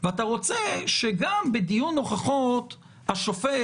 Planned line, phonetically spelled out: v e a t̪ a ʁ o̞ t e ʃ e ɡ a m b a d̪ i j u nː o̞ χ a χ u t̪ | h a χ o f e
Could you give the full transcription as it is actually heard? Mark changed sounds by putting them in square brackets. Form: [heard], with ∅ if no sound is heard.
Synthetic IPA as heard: v e a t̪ a ʁ o̞ [t͡s] e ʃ e ɡ a m b [e] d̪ i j u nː o̞ χ a χ [o] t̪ | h a [ʃ] o f e